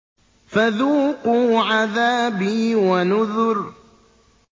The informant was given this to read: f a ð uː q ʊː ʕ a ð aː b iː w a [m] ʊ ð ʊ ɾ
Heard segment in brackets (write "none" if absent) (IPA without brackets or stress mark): n